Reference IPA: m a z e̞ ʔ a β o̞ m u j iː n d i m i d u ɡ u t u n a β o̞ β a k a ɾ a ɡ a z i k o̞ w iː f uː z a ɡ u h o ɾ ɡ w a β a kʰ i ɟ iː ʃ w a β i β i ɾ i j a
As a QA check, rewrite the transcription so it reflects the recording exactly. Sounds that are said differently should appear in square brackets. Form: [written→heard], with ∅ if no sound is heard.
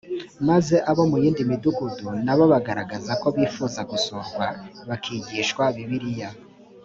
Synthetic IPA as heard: m a z e̞ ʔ a β o̞ m u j iː n d i m i d u ɡ u [t→d] u n a β o̞ β a [k→ɡ] a ɾ a ɡ a z [i→a] k o̞ [w→β] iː f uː z a ɡ u [h→s] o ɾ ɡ w a β a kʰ i ɟ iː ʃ w a β i β i ɾ i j a

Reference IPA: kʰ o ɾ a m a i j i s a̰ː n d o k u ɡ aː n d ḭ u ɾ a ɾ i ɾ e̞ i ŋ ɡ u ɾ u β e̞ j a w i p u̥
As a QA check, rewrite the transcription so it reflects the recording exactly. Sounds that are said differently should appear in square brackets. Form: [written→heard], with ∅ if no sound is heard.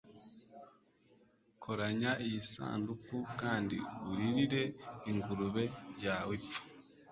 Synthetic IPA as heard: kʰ o ɾ a [m→ɲ] a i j i s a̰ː n d [o→u] k u [ɡ→k] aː n d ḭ u ɾ [a→i] ɾ i ɾ e̞ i ŋ ɡ u ɾ u β e̞ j a w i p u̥

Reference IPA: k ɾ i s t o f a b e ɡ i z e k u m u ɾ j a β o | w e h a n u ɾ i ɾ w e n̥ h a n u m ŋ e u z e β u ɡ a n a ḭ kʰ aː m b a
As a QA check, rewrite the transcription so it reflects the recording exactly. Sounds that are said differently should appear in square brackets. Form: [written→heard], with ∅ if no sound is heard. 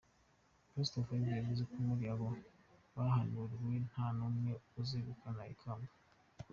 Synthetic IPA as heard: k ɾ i s t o f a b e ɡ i z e k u m u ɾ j a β o | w [e→a] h a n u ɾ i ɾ w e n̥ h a n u m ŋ e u z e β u [ɡ→k] a n a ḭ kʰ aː m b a

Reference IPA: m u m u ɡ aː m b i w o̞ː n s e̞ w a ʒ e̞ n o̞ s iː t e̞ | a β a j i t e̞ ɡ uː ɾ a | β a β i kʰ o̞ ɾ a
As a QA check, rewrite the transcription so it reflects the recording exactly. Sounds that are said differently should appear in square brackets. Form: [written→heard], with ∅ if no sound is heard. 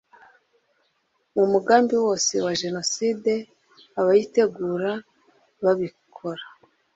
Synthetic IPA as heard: m u m u ɡ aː m b i w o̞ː [n→∅] s e̞ w a ʒ e̞ n o̞ s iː [t→d] e̞ | a β a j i t e̞ ɡ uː ɾ a | β a β i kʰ o̞ ɾ a

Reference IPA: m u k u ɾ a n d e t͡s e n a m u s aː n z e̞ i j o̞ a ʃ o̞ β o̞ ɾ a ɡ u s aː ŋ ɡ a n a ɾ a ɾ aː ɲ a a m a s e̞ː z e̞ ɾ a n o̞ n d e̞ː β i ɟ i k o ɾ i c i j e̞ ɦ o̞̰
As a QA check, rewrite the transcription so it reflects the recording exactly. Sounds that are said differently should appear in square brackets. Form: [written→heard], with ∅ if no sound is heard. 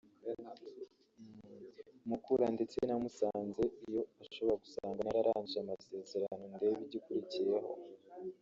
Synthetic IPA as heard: m u k u ɾ a n d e t͡s e n a m u s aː n z e̞ i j o̞ a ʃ o̞ β o̞ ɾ a ɡ u s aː ŋ ɡ a n a ɾ a ɾ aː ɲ [a→i] a m a s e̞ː z e̞ ɾ a n o̞ n d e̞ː β i ɟ i k [o→u] ɾ i c i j e̞ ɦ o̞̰

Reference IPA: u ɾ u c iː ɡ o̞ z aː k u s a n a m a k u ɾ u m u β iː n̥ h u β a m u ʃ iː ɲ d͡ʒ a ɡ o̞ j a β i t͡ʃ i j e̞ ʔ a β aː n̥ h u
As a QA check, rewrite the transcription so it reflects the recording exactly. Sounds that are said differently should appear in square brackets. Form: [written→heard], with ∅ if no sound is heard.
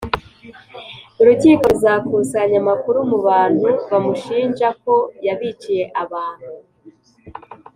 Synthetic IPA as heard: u ɾ u c iː [ɡ→k] o̞ z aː k u s a [n→ɲ] a m a k u ɾ u m u β [iː→aː] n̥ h u β a m u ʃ iː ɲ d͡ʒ a [ɡ→k] o̞ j a β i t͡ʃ i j e̞ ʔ a β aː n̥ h u

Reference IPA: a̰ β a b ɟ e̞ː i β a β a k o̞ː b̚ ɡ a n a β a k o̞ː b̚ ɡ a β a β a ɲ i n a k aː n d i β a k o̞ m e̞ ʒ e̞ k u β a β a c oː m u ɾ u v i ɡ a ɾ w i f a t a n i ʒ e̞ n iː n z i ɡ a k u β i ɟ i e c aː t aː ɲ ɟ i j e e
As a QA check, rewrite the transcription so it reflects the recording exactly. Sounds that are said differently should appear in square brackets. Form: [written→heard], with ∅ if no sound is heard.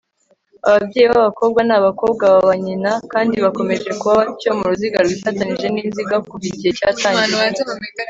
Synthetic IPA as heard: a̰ β a b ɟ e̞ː i β a β a k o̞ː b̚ ɡ a n a β a k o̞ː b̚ ɡ a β a β a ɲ i n a k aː n d i β a k o̞ m e̞ ʒ e̞ k u β a β a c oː m u ɾ u [v→z] i ɡ a ɾ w i f a t a n i ʒ e̞ n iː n z i ɡ a k u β i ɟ i e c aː t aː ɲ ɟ i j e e

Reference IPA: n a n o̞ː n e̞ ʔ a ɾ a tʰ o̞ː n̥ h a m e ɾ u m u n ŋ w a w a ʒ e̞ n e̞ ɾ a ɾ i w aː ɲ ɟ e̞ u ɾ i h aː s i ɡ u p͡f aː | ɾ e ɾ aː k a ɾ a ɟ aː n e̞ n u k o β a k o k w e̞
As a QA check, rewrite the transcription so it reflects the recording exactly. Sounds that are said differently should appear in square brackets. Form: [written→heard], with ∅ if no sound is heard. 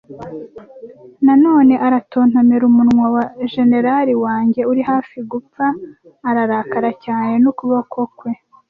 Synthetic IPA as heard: n a n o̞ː n e̞ ʔ a ɾ a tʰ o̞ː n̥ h a m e ɾ u m u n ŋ w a w a ʒ e̞ n e̞ ɾ a ɾ i w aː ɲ ɟ e̞ u ɾ i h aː [s→f] i ɡ u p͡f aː | ɾ [e→a] ɾ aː k a ɾ a [ɟ→c] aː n e̞ n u k [o→u] β a k o k w e̞

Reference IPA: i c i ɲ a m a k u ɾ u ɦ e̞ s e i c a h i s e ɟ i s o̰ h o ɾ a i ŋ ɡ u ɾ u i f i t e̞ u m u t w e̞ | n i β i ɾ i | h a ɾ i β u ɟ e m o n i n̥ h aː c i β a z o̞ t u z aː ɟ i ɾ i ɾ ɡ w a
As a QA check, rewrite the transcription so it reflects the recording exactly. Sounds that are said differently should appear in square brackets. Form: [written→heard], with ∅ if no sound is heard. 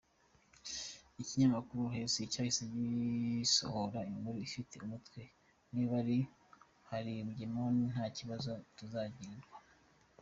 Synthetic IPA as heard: i c i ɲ a m a k u ɾ u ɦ e̞ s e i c a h i s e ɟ i s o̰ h o ɾ a i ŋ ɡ u ɾ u i f i t e̞ u m u t w e̞ | n i β [i→a] ɾ i | h a ɾ i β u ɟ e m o n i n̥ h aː c i β a z o̞ t u z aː ɟ i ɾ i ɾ ɡ w a

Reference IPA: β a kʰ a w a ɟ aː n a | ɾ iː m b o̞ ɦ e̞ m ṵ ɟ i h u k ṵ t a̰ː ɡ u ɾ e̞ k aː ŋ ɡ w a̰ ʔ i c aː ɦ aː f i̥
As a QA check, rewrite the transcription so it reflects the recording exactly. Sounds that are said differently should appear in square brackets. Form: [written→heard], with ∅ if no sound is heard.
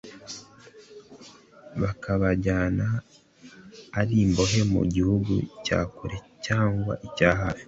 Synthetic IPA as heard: β a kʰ a [w→β] a ɟ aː n a | ɾ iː m b o̞ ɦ e̞ m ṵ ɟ i h u [k→ɡ] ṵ [t→c] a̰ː [ɡ→k] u ɾ e̞ [k→c] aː ŋ ɡ w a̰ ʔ i c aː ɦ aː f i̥

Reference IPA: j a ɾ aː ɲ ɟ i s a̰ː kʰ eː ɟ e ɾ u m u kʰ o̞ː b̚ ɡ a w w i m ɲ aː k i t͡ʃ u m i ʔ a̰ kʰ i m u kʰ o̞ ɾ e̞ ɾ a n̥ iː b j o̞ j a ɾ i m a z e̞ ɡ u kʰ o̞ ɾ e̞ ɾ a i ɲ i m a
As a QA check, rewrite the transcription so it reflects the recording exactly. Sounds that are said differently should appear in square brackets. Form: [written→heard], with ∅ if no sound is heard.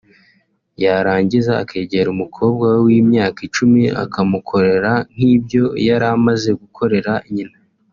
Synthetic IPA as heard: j a ɾ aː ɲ ɟ i [s→z] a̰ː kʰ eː ɟ e ɾ u m u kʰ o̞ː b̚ ɡ a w w i m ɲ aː k i t͡ʃ u m i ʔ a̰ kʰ [i→a] m u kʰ o̞ ɾ e̞ ɾ a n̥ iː b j o̞ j a ɾ [i→a] m a z e̞ ɡ u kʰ o̞ ɾ e̞ ɾ a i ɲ i [m→n] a

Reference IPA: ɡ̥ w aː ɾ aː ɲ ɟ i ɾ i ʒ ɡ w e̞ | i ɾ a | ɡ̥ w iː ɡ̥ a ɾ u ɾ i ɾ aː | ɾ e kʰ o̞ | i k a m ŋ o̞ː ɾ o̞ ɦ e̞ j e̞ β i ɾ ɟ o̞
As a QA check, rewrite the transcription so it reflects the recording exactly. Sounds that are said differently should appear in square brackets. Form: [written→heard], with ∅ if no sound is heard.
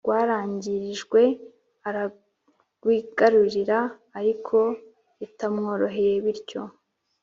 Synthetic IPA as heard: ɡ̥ w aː ɾ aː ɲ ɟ i ɾ i ʒ ɡ w e̞ | [i→a] ɾ a | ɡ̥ w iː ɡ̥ a ɾ u ɾ i ɾ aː | ɾ [e→i] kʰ o̞ | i [k→t] a m ŋ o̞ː ɾ o̞ ɦ e̞ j e̞ β i ɾ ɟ o̞

